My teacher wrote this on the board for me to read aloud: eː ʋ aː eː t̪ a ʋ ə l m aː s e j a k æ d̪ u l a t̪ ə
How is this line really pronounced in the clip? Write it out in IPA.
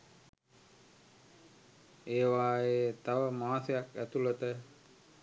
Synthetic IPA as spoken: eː ʋ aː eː t̪ a ʋ ə m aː s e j a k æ t̪ u l ə t̪ ə